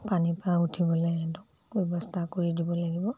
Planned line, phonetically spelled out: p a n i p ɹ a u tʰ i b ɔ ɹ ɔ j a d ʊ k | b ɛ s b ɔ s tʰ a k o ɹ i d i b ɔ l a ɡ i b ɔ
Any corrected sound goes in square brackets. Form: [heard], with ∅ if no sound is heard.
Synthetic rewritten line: p a n i p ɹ a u tʰ i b ɔ [l] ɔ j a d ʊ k | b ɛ [∅] b ɔ s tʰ a k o ɹ i d i b ɔ l a ɡ i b ɔ